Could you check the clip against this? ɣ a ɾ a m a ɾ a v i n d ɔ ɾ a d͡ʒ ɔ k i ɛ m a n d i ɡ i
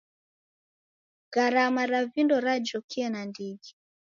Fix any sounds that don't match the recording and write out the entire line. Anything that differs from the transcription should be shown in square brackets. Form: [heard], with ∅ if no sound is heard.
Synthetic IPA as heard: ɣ a ɾ a m a ɾ a v i n d ɔ ɾ a d͡ʒ ɔ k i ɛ [n] a n d i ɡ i